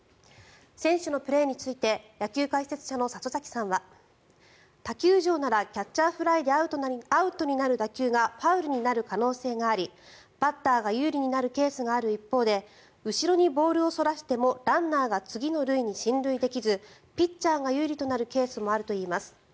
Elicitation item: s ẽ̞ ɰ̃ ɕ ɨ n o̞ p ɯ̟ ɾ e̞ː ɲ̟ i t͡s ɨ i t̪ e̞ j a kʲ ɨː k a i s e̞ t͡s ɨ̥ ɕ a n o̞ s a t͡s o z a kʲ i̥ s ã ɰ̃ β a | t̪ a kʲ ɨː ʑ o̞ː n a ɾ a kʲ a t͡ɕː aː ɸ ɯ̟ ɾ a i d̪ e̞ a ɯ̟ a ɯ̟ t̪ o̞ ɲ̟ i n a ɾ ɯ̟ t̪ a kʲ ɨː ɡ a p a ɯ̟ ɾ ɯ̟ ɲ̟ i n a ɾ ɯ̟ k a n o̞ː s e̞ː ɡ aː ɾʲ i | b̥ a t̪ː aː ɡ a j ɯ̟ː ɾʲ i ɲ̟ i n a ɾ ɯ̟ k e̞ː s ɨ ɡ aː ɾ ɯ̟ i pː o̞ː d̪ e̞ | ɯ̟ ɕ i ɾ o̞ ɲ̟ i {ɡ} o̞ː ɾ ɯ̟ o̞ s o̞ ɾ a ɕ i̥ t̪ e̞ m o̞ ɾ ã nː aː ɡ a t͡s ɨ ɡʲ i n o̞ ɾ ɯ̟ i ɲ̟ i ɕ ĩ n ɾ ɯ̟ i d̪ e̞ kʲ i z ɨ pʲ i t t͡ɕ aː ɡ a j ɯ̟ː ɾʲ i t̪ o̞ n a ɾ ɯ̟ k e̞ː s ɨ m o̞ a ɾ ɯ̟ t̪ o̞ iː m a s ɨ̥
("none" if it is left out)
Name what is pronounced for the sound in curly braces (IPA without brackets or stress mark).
b